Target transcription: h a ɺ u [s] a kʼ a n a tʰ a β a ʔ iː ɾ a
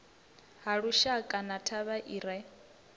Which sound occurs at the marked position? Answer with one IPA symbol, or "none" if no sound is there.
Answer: ʃ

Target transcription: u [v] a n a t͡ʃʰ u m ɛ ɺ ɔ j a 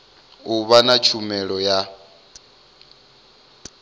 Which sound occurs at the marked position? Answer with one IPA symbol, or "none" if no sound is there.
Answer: β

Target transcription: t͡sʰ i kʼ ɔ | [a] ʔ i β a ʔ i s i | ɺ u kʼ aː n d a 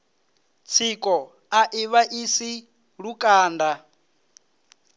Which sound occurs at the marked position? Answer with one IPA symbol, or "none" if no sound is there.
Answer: a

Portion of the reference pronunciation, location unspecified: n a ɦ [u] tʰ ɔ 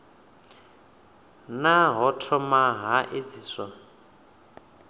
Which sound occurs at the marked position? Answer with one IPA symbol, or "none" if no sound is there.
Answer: ɔ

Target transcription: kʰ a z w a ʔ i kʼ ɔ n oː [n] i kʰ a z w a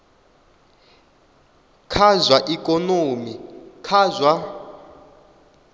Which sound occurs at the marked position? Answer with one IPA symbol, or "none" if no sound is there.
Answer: m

